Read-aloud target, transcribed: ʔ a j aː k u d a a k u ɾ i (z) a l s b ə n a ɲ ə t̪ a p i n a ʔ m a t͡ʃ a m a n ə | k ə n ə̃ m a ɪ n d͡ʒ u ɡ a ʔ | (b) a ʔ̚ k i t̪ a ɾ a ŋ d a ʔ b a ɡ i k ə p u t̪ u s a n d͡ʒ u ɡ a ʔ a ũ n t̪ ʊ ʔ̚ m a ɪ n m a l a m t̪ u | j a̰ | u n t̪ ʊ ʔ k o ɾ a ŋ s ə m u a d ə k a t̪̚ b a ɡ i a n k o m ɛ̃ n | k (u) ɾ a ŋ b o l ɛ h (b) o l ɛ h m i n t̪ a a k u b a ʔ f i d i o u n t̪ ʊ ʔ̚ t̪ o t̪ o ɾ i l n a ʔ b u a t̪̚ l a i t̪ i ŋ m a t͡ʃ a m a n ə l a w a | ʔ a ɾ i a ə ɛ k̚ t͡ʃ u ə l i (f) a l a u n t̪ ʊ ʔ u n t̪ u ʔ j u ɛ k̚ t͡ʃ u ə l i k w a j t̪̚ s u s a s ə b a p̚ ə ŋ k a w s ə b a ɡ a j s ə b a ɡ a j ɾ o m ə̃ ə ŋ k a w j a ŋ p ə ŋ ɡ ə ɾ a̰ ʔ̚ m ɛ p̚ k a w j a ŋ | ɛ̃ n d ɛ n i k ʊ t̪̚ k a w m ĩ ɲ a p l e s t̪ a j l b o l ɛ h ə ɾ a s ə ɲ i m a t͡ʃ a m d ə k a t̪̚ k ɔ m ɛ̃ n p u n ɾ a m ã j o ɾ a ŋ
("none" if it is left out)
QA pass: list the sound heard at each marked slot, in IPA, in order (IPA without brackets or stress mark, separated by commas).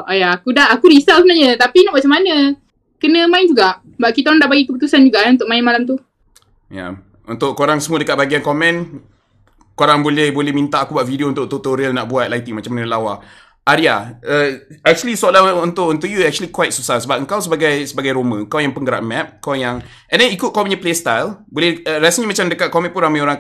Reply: s, b, o, b, s